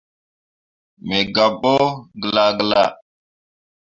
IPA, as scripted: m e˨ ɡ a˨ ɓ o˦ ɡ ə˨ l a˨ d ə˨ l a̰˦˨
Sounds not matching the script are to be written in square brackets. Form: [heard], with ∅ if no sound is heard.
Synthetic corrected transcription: m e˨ ɡ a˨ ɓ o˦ ɡ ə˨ l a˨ [ɡ] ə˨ l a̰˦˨